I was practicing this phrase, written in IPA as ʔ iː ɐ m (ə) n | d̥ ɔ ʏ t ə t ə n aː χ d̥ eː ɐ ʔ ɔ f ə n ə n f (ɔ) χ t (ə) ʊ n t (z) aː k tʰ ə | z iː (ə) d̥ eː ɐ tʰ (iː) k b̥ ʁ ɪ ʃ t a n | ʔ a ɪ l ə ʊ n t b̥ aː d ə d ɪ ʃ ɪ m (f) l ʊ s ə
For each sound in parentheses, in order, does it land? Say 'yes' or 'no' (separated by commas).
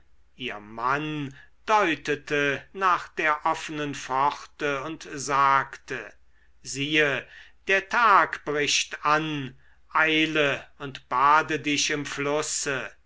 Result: no, yes, yes, yes, yes, no, yes